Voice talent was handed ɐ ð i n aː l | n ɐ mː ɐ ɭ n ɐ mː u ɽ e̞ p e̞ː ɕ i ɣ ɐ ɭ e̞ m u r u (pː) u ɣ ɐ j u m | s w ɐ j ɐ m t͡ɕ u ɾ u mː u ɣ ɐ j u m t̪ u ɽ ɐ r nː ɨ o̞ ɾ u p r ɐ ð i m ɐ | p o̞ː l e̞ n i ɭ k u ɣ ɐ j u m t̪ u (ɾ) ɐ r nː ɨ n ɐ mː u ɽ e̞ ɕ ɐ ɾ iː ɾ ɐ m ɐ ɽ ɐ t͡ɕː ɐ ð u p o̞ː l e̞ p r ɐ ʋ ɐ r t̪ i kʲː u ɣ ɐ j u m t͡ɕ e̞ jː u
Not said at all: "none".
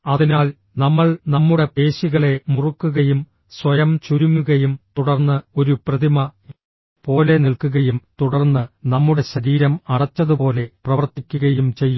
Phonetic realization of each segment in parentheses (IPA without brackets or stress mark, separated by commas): kː, ɽ